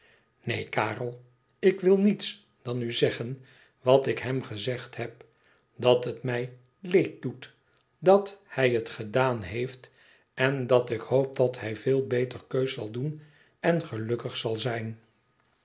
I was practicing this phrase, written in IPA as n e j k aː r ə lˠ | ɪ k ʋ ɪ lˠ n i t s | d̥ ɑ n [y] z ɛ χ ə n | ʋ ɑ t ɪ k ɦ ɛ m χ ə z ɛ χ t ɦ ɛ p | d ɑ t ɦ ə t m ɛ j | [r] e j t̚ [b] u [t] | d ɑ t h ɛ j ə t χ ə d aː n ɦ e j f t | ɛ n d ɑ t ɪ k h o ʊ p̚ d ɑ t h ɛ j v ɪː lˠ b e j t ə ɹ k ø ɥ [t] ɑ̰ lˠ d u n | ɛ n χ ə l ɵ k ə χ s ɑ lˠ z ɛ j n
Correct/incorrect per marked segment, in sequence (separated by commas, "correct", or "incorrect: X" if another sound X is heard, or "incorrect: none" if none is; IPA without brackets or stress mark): correct, incorrect: l, incorrect: d, correct, incorrect: s